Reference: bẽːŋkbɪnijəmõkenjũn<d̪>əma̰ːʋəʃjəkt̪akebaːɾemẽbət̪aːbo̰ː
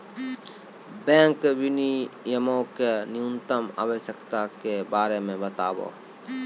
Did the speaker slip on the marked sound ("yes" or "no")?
yes